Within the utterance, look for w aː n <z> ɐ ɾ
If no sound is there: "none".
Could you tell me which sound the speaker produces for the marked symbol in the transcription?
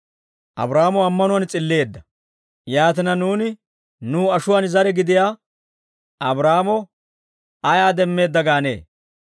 z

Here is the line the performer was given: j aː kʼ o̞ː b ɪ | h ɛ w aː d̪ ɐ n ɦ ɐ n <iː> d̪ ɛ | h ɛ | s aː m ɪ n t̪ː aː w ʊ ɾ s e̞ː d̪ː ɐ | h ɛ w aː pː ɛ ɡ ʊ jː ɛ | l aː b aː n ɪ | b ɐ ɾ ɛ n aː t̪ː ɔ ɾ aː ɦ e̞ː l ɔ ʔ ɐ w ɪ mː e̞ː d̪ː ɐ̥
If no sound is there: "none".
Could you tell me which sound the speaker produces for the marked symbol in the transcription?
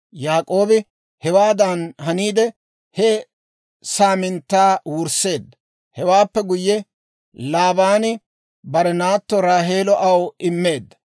iː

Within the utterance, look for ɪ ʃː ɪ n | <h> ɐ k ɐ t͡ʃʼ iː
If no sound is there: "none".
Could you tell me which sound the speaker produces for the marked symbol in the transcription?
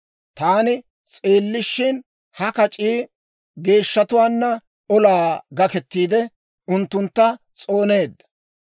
h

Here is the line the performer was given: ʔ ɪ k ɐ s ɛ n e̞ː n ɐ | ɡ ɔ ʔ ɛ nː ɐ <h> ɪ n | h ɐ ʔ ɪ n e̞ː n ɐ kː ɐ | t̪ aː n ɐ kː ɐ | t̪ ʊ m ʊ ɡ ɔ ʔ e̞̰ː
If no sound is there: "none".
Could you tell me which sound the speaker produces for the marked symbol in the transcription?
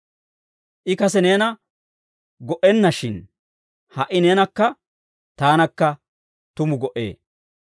ʃ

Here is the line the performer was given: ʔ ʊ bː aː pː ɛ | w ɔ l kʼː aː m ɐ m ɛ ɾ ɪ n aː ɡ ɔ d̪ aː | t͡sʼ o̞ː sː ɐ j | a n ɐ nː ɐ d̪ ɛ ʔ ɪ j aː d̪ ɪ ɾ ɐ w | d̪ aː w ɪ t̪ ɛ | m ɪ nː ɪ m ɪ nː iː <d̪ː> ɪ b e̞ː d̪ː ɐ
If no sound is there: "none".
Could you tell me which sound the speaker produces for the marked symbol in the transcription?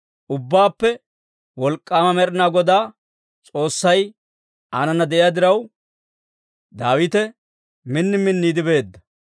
d̪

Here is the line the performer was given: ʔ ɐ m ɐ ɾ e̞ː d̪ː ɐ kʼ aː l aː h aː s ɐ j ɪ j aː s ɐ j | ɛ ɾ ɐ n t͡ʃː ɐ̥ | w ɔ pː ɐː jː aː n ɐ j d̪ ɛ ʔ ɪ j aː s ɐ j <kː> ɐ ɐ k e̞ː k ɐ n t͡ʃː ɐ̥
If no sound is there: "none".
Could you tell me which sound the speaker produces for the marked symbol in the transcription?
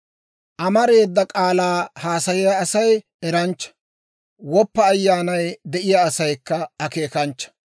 kː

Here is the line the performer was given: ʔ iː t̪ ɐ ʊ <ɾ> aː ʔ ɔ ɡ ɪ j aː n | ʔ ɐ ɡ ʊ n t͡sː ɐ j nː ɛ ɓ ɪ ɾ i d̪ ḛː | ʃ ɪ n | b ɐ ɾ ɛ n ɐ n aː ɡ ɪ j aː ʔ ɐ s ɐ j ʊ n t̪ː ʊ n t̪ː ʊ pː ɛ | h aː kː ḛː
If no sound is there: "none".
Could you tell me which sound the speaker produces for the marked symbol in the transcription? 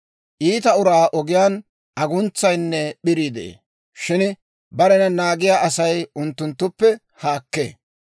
ɾ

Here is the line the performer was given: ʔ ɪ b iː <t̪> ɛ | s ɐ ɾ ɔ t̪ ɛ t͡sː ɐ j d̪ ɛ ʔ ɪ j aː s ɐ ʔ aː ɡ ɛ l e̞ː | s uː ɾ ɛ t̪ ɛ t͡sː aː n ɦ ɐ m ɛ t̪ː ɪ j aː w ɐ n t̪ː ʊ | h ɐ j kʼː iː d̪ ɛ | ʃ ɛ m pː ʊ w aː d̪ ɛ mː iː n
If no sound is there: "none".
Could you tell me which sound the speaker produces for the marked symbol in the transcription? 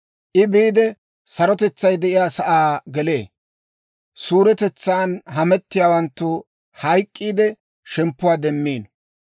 d̪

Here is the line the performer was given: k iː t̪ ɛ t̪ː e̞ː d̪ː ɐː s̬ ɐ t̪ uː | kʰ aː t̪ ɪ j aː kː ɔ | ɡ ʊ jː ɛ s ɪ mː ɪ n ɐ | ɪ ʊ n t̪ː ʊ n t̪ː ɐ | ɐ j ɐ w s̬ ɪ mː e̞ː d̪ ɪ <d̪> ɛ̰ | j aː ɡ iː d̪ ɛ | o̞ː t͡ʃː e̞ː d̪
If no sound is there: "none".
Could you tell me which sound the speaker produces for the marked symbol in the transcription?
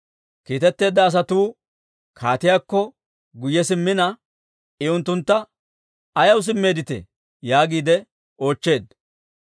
t̪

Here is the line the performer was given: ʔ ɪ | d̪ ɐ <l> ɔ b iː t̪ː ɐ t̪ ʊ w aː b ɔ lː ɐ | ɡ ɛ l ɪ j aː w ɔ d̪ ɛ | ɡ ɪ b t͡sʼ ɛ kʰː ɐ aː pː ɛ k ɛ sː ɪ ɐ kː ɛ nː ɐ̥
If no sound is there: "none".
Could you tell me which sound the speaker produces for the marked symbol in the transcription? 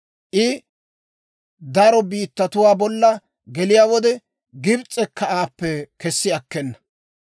ɾ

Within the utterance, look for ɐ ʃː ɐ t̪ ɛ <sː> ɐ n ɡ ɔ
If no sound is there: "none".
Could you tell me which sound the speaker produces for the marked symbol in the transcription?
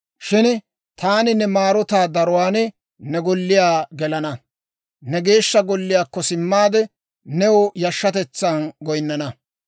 t͡sː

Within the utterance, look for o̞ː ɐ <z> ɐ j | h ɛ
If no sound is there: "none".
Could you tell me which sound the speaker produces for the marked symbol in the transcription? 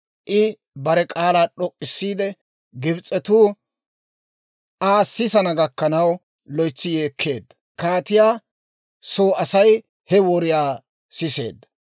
s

